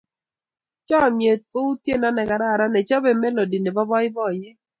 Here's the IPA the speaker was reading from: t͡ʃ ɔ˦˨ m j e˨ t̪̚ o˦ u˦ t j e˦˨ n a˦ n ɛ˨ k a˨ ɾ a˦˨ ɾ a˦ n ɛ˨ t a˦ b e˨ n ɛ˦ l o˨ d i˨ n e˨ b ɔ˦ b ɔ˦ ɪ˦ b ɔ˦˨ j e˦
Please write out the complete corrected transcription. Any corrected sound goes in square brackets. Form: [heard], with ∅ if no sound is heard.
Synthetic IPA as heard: t͡ʃ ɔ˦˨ m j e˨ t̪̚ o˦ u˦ t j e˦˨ n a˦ n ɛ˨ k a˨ ɾ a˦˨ ɾ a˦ n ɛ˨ [t͡ʃ] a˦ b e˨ [m] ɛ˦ l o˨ d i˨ n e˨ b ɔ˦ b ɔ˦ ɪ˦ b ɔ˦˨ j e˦